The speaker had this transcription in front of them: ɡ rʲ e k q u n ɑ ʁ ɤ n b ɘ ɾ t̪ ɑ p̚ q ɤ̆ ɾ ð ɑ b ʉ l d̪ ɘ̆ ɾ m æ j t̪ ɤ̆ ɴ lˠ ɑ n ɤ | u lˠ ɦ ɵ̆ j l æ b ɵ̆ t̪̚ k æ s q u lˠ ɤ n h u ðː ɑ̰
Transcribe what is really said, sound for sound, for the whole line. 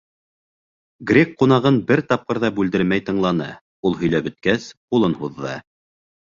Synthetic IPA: ɡ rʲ e k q u n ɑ ʁ ɤ n b ɘ ɾ t̪ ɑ p̚ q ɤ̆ ɾ ð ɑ b ʉ l d̪ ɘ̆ ɾ m æ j t̪ ɤ̆ ɴ lˠ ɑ n ɤ | u lˠ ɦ ɵ̆ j l æ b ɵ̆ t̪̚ k æ s q u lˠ ɤ n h u ðː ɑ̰